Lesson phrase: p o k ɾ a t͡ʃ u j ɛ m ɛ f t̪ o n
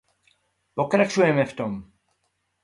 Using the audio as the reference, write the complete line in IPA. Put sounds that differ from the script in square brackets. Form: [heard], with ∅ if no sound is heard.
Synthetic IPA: p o k ɾ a t͡ʃ u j ɛ m ɛ f t̪ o [m]